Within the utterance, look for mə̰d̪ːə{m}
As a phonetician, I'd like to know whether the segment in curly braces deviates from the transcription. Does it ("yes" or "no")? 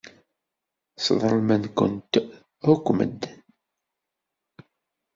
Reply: yes